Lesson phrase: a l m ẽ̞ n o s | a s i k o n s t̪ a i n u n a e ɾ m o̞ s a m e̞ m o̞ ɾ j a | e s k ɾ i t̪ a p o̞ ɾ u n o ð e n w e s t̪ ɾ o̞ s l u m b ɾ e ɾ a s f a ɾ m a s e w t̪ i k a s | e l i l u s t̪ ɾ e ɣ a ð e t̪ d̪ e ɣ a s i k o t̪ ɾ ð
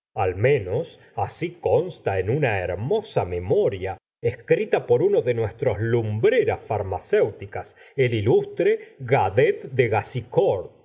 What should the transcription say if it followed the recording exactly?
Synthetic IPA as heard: a l m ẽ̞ n o s | a s i k o n s t̪ a e n u n a e ɾ m o̞ s a m e̞ m o̞ ɾ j a | e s k ɾ i t̪ a p o̞ ɾ u n o ð e n w e s t̪ ɾ o̞ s l u m b ɾ e ɾ a s f a ɾ m a s e w t̪ i k a s | e l i l u s t̪ ɾ e ɣ a ð e t̪ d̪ e ɣ a s i k o ɾ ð